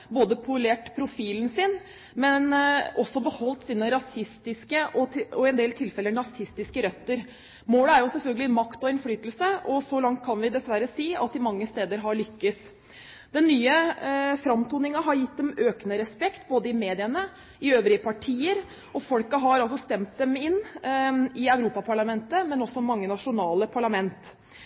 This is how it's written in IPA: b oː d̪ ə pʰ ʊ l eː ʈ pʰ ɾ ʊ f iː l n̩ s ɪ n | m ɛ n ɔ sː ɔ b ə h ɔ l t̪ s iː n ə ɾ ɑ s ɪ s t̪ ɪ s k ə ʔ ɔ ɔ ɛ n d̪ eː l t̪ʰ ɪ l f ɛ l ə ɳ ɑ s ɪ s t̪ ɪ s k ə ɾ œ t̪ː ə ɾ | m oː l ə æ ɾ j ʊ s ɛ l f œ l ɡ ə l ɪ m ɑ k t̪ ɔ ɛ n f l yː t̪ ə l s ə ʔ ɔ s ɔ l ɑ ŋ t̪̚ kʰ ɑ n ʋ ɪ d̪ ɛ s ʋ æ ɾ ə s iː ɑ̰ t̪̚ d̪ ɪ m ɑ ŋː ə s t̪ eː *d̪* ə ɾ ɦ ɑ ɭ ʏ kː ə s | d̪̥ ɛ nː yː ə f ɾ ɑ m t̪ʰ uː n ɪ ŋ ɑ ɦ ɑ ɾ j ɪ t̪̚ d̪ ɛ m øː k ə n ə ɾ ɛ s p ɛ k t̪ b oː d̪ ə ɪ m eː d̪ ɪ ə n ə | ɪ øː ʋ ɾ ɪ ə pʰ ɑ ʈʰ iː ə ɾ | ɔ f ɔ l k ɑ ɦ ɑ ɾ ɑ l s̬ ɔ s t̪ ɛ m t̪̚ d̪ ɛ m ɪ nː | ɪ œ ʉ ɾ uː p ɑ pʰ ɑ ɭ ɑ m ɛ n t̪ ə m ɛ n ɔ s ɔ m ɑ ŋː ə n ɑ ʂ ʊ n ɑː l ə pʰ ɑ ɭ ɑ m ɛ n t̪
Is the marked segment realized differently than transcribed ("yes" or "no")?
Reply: no